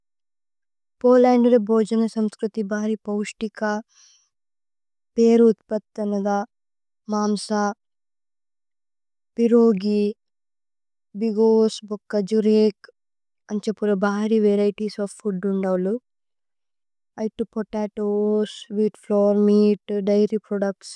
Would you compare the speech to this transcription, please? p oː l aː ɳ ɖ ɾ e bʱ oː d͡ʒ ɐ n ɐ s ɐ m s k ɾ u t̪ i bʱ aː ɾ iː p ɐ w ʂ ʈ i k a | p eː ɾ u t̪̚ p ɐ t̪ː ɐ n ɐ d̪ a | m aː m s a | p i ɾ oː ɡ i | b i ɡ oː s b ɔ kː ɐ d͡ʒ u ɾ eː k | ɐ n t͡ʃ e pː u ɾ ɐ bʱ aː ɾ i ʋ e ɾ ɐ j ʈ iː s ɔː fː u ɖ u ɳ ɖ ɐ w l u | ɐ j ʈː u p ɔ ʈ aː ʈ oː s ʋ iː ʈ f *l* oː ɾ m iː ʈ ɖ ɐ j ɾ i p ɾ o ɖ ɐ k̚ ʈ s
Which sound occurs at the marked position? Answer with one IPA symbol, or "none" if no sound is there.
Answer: l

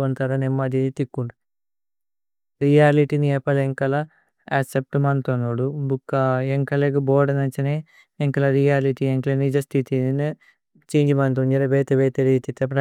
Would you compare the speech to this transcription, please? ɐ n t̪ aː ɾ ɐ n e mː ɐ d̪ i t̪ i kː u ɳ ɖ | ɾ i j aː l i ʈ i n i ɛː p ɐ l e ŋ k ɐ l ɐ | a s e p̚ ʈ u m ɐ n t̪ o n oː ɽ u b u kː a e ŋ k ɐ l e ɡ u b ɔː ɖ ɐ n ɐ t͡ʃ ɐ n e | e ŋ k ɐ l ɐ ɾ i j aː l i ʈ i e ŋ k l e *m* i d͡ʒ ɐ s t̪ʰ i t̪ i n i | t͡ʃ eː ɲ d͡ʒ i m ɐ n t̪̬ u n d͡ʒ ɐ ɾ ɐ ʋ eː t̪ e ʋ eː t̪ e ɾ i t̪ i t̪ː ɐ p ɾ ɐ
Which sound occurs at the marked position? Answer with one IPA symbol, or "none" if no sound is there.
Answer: n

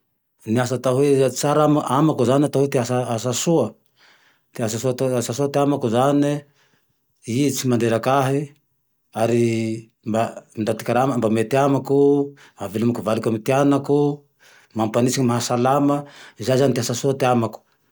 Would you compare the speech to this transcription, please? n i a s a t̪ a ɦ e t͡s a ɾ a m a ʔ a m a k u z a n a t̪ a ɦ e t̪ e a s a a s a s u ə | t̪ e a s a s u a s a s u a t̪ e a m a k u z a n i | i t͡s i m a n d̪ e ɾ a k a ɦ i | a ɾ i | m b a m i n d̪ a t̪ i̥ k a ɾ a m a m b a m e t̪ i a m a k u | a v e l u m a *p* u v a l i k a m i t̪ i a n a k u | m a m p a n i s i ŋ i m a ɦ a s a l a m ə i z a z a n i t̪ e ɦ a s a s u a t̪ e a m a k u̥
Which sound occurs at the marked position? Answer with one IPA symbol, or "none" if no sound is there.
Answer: k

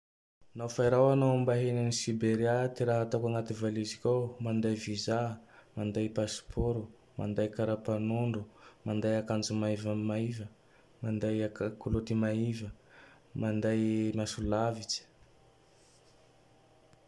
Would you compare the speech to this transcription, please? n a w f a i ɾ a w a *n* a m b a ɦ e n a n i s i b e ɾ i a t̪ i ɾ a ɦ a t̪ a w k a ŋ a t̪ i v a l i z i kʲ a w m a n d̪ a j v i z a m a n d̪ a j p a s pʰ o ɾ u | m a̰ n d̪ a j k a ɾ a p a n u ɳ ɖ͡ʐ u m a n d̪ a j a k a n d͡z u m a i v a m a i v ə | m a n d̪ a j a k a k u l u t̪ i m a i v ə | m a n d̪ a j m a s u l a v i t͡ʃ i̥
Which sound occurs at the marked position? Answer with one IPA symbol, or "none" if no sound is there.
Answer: n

